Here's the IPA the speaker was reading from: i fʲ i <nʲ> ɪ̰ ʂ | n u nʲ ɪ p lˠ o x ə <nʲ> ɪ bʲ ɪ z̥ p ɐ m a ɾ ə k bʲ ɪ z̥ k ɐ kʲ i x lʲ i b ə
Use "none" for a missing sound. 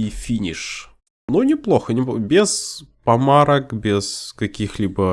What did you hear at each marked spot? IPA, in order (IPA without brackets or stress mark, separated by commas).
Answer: nʲ, nʲ